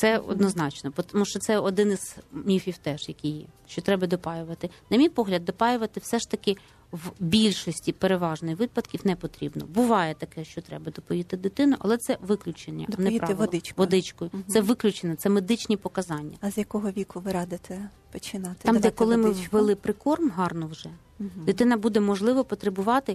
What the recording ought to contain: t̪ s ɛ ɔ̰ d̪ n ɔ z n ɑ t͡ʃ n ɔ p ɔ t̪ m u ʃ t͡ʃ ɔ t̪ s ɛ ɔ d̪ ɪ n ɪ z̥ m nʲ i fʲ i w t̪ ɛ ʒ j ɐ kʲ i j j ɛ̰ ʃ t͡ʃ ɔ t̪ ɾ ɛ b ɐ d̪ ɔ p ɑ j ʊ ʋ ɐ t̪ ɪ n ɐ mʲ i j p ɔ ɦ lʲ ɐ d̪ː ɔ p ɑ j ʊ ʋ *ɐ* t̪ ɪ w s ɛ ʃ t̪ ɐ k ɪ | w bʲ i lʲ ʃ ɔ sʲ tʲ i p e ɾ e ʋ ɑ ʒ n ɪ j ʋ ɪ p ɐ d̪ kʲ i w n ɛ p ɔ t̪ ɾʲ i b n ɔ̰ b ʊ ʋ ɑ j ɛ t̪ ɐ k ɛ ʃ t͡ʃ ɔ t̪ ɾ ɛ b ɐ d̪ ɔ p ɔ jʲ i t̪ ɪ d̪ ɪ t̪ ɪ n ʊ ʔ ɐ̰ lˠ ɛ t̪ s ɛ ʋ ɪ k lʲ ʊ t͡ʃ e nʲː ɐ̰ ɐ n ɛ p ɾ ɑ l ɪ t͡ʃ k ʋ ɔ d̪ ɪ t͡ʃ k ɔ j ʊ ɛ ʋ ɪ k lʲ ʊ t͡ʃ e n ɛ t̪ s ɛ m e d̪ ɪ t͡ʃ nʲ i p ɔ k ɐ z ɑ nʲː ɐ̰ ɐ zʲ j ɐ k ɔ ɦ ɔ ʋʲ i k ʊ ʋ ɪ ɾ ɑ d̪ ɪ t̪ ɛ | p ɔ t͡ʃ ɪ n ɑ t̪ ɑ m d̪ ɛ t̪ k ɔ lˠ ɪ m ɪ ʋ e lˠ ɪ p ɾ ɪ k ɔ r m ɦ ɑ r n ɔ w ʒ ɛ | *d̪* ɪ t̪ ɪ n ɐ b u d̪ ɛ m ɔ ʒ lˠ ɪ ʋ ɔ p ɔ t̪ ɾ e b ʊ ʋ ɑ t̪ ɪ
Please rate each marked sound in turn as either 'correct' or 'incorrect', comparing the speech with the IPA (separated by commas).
correct, correct